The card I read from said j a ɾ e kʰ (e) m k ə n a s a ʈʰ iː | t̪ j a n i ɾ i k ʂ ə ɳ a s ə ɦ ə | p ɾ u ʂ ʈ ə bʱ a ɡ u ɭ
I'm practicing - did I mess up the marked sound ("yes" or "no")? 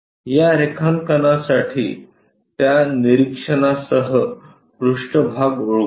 yes